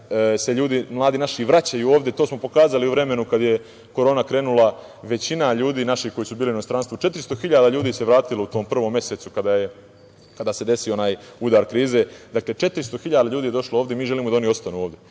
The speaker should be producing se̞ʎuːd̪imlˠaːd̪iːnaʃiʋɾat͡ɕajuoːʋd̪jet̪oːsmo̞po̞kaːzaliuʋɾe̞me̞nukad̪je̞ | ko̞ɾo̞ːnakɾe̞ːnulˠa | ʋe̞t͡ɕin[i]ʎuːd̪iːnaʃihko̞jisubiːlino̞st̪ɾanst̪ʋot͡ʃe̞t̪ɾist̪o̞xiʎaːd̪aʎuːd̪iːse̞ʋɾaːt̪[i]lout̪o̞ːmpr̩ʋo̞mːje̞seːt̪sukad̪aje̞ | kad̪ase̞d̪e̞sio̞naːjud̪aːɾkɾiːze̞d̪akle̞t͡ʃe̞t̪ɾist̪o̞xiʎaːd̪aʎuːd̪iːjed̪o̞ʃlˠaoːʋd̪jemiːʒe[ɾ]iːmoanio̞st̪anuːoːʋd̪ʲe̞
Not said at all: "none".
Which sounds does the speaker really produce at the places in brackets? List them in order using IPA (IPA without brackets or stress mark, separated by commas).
a, i, l